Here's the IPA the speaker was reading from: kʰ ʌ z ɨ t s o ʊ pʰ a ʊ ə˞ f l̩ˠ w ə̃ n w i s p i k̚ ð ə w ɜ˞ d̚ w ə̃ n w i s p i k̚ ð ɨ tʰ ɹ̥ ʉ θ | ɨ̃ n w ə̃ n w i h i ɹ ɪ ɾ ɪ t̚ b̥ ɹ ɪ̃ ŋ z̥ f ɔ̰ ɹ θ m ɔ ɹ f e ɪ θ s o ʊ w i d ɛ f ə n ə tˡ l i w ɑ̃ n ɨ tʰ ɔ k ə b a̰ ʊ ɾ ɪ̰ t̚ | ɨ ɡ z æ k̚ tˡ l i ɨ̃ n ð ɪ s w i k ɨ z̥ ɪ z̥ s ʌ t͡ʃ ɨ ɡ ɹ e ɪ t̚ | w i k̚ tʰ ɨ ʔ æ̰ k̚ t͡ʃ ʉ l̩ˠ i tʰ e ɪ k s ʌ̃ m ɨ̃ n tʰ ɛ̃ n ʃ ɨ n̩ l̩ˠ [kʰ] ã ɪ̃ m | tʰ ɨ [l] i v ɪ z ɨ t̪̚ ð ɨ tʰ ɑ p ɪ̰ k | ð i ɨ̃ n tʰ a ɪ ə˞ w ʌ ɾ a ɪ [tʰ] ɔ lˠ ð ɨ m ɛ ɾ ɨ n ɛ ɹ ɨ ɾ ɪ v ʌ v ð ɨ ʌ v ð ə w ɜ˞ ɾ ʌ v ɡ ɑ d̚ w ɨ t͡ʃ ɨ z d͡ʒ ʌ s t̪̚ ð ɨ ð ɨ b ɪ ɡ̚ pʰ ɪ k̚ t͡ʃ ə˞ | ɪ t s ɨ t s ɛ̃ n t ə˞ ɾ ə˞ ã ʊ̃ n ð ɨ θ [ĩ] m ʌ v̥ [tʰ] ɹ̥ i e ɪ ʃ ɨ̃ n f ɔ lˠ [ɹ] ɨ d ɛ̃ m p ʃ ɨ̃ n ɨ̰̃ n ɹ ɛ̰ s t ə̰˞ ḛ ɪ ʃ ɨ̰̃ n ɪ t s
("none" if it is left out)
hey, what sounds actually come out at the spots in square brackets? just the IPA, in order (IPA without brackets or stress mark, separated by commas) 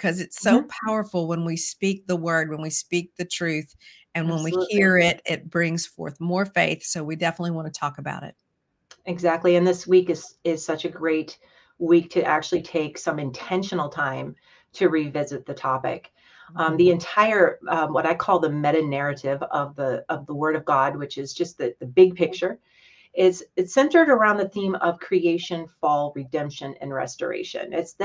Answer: tʰ, ɹ, kʰ, ĩ, kʰ, ɹ